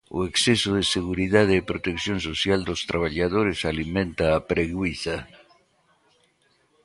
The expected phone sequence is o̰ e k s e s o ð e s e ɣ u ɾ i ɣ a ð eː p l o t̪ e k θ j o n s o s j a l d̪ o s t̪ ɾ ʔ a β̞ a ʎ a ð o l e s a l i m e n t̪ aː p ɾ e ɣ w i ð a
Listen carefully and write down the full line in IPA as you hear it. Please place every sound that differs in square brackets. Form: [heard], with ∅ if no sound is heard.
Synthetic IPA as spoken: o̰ e k s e s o ð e s e ɣ u ɾ i [ð] a ð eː p [ɾ] o t̪ e k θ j o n s o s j a l d̪ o s t̪ ɾ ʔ a β̞ a ʎ a ð o [ɾ] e s a l i m [ẽ] n t̪ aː p ɾ e ɣ w i [θ] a